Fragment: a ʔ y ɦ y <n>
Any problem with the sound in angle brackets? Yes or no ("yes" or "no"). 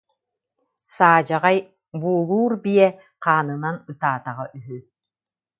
yes